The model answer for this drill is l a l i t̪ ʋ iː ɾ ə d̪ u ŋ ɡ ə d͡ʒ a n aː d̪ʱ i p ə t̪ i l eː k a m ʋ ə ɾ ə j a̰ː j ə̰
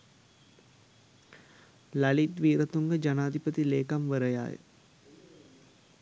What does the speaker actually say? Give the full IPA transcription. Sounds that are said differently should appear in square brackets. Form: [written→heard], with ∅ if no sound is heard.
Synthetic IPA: l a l i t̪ ʋ iː ɾ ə [d̪→t̪] u ŋ ɡ ə d͡ʒ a n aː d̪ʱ i p ə t̪ i l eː k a m ʋ ə ɾ ə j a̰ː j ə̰